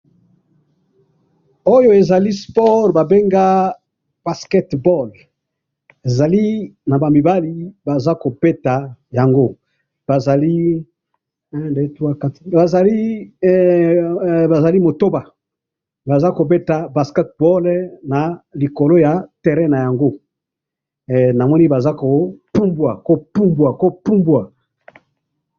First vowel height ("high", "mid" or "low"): mid